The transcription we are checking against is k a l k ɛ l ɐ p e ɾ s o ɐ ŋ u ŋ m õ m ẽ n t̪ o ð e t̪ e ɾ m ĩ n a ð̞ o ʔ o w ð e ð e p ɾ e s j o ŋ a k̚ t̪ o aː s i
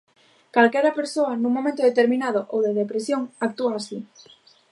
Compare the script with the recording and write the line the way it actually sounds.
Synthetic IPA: k a l k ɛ ɾ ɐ p e ɾ s o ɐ n u ŋ m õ m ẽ n t̪ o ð e t̪ e ɾ m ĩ n a ð̞ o ʔ o w ð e ð e p ɾ e s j o ŋ a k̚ t̪ u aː s i